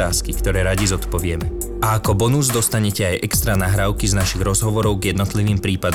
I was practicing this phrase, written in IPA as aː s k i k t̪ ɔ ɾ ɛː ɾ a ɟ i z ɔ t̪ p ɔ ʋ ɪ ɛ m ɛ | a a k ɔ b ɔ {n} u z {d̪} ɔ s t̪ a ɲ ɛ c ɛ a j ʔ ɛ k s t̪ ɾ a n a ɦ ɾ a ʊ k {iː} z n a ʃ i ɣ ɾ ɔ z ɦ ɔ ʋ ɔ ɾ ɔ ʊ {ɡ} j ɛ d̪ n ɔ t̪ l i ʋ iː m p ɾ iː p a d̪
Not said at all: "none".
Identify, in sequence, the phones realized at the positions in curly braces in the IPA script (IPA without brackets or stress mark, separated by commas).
n, d̪, i, ɡ